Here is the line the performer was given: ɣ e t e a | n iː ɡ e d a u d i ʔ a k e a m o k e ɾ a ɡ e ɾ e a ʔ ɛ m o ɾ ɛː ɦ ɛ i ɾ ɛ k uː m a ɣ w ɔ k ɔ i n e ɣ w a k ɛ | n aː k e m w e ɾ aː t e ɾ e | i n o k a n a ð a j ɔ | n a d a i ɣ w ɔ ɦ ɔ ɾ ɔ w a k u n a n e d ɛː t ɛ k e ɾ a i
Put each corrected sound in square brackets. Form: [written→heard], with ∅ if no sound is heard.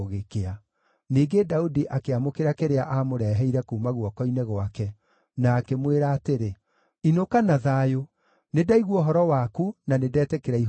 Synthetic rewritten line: ɣ e [t→k] e a | n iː ɡ e d a u d i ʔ a k e a m o k e ɾ a [ɡ→k] e ɾ e a ʔ [ɛ→a] m o ɾ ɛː ɦ ɛ i ɾ ɛ k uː m a ɣ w ɔ k ɔ i n e ɣ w a k ɛ | n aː k e m w e ɾ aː t e ɾ e | i n o k a n a ð a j [ɔ→o] | n [a→e] d a i ɣ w ɔ ɦ ɔ ɾ ɔ w a k u n a n e d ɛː t ɛ k e ɾ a i